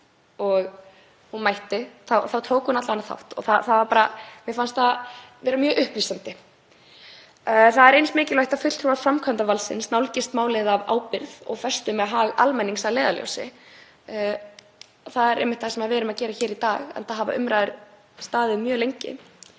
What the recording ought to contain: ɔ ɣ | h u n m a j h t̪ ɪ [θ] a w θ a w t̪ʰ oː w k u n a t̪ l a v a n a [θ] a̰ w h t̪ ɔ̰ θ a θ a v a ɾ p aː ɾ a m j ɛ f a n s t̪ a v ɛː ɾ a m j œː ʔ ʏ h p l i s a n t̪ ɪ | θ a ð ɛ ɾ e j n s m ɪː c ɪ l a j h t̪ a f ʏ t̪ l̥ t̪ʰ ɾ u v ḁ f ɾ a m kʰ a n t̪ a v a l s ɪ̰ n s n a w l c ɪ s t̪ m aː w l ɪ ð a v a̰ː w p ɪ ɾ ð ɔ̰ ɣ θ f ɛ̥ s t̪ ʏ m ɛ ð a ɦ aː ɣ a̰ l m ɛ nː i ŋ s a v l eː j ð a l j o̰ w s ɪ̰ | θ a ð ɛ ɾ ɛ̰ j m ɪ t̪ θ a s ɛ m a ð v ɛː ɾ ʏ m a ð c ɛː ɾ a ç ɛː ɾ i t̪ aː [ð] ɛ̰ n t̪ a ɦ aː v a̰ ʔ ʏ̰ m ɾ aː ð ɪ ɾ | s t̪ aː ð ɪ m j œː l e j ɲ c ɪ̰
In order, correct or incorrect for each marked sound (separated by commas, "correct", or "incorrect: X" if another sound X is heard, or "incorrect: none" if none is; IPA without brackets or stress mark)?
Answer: correct, correct, incorrect: ɣ